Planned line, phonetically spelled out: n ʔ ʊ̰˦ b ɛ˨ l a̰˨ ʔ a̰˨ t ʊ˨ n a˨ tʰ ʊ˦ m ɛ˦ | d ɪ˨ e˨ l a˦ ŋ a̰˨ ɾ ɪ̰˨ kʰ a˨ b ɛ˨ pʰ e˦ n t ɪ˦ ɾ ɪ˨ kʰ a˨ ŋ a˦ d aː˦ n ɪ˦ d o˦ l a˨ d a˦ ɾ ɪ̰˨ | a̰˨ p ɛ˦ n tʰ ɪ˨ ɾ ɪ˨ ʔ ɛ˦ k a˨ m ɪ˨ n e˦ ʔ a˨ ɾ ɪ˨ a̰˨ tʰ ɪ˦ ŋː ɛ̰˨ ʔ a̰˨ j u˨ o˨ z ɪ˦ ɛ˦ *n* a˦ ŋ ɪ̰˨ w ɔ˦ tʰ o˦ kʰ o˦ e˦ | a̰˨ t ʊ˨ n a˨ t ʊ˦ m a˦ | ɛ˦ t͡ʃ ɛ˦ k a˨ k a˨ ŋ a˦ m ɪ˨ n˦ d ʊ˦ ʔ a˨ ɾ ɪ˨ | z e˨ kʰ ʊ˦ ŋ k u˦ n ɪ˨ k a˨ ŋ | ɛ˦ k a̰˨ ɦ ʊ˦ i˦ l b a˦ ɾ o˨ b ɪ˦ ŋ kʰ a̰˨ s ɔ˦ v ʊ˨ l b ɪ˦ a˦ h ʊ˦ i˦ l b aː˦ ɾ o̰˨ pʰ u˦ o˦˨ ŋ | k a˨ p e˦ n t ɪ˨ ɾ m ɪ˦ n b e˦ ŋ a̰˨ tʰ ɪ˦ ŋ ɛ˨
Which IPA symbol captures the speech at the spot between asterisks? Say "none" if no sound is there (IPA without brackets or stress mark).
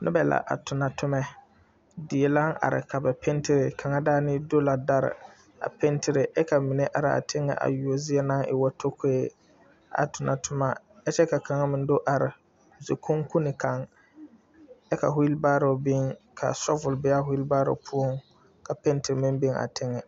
n